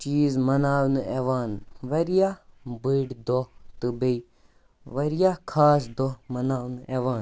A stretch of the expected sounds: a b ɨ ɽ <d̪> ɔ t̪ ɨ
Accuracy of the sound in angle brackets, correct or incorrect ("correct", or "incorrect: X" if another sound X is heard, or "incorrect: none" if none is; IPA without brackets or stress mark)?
correct